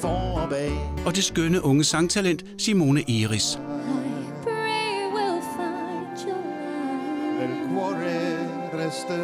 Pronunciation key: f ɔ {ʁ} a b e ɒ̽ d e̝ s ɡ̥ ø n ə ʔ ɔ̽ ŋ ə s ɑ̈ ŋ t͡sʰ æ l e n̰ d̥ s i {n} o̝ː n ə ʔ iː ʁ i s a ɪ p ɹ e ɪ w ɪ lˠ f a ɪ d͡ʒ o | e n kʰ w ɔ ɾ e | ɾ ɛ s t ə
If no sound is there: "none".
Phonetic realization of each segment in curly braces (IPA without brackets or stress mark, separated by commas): none, m